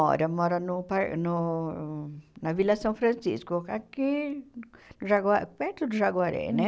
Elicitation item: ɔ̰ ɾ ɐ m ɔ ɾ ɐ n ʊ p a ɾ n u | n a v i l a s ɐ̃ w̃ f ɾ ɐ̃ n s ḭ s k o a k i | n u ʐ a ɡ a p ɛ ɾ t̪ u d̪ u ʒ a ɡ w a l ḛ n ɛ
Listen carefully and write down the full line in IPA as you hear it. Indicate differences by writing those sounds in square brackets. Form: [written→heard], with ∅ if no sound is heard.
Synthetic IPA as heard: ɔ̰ ɾ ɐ m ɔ ɾ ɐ n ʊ p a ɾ n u | n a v i l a s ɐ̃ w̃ f ɾ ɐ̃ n s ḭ s k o a k i | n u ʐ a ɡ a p ɛ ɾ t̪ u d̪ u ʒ a ɡ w a [l→ɾ] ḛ n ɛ